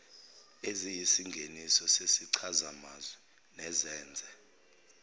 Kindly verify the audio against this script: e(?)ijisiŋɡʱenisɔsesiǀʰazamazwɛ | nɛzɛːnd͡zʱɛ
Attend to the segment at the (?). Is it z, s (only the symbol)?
z